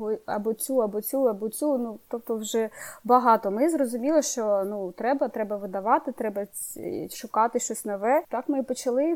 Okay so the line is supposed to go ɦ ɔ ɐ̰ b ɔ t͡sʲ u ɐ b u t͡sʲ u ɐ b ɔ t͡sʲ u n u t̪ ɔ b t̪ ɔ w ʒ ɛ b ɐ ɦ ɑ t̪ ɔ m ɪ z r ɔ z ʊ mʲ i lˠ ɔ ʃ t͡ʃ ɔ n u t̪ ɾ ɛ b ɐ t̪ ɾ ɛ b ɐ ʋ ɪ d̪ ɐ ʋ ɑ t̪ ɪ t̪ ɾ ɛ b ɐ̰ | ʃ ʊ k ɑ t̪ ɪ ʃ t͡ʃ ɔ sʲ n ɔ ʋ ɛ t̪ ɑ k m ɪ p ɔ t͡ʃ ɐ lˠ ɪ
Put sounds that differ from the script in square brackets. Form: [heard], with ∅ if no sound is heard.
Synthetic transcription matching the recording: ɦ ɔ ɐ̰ b ɔ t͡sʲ u ɐ b [ɔ] t͡sʲ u ɐ b ɔ t͡sʲ u n u t̪ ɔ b t̪ ɔ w ʒ ɛ b ɐ ɦ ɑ t̪ ɔ m ɪ z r ɔ z ʊ mʲ i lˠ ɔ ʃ t͡ʃ ɔ n u t̪ ɾ ɛ b ɐ t̪ ɾ ɛ b ɐ ʋ ɪ d̪ ɐ ʋ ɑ t̪ ɪ t̪ ɾ ɛ b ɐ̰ | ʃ ʊ k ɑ t̪ ɪ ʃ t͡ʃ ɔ sʲ n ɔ ʋ ɛ t̪ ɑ k m ɪ p ɔ t͡ʃ ɐ lˠ ɪ